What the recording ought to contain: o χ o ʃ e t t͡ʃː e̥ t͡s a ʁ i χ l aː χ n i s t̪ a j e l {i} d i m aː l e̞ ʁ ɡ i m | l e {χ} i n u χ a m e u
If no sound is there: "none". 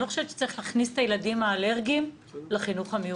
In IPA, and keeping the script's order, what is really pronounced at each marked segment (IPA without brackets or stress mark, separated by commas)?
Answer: a, χ